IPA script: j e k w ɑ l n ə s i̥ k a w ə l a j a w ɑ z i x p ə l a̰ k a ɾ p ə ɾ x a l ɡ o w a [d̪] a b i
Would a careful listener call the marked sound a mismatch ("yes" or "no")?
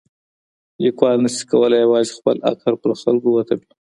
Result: yes